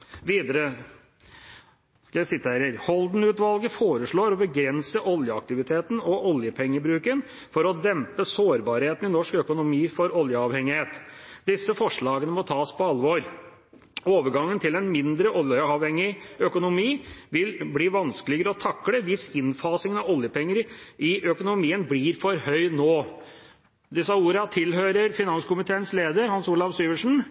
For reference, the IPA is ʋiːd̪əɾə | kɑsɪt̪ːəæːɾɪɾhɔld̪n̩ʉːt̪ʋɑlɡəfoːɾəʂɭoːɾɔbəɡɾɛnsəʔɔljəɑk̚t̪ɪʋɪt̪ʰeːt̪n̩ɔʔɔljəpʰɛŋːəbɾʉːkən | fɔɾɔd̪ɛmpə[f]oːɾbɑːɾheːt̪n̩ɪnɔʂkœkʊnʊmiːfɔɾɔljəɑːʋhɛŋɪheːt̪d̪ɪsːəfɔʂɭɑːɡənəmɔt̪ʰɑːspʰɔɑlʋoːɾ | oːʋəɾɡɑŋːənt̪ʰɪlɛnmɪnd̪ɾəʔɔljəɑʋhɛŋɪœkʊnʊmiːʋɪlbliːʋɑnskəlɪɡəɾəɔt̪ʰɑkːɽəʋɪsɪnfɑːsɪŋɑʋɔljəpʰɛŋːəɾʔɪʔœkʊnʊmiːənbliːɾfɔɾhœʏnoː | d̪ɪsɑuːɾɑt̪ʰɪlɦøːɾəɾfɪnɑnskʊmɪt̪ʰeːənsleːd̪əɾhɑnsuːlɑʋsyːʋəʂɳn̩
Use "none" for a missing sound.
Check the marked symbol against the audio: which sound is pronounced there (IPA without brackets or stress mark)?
s